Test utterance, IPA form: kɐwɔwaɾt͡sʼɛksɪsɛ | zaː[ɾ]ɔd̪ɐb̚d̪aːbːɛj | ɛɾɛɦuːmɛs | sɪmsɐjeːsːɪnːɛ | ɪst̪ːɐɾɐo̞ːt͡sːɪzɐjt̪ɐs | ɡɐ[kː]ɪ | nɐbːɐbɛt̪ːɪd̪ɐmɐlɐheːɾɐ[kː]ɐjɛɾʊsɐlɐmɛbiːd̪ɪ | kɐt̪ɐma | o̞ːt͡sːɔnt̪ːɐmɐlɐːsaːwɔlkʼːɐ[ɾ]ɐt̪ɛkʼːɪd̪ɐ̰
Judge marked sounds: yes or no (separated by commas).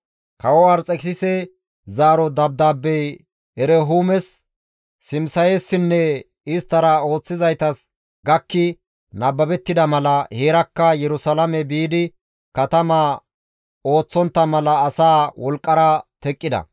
yes, yes, yes, yes